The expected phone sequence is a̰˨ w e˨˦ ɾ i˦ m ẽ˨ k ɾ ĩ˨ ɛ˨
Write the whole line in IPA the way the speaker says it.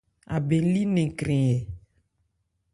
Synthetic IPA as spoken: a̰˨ b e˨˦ l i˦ n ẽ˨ k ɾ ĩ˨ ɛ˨